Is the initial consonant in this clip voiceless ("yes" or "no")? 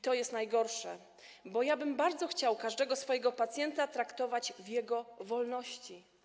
yes